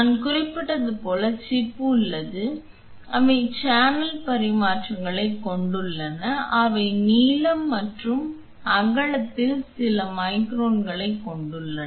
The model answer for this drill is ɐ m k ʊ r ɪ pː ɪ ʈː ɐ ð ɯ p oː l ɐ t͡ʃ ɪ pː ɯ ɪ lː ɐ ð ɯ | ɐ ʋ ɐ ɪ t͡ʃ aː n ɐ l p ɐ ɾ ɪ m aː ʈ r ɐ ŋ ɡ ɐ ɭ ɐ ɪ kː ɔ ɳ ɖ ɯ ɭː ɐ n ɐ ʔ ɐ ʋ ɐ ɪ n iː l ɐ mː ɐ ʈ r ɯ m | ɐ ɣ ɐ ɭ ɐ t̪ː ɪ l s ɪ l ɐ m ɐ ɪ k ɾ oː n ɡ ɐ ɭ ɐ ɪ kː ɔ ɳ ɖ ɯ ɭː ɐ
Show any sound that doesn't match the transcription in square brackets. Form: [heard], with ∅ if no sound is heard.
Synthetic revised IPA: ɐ [n] k ʊ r ɪ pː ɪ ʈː ɐ ð ɯ p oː l ɐ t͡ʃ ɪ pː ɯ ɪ lː ɐ ð ɯ | ɐ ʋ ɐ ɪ t͡ʃ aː n ɐ l p ɐ ɾ ɪ m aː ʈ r ɐ ŋ ɡ ɐ ɭ ɐ ɪ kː ɔ ɳ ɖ ɯ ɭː ɐ n ɐ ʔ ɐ ʋ ɐ ɪ n iː l ɐ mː ɐ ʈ r ɯ m | ɐ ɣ ɐ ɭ ɐ t̪ː ɪ l s ɪ l ɐ m ɐ ɪ k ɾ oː n ɡ ɐ ɭ ɐ ɪ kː ɔ ɳ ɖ ɯ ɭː ɐ